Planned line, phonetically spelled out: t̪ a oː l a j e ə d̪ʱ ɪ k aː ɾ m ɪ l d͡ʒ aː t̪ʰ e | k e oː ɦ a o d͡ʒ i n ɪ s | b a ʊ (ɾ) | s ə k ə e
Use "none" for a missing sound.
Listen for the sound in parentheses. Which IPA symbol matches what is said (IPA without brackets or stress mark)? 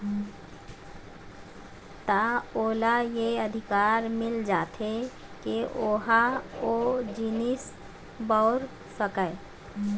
ɾ